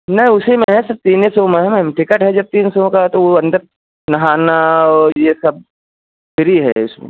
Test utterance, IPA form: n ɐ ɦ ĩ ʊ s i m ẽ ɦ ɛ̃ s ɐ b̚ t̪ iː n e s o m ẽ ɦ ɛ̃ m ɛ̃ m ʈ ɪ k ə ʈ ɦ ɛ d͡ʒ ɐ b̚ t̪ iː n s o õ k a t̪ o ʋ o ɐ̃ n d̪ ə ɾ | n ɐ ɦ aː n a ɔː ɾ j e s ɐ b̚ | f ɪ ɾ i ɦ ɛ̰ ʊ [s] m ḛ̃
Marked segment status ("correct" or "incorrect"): correct